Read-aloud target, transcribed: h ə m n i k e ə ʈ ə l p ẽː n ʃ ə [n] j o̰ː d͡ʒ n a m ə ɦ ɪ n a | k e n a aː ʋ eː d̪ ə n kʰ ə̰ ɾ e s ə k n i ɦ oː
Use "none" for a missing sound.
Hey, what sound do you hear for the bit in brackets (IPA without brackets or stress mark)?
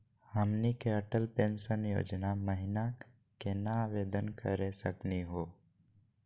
n